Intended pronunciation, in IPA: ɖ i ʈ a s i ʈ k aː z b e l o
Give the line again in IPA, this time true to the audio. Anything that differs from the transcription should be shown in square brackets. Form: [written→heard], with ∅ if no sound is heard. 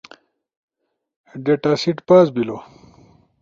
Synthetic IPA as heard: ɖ [i→e] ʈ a s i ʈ [k→p] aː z b [e→i] l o